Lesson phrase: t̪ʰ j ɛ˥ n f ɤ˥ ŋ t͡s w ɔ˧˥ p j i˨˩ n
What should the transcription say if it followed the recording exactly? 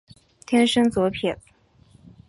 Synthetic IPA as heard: t̪ʰ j ɛ˥ n ʂ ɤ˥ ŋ t͡s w ɔ˧˥ pʰ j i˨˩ n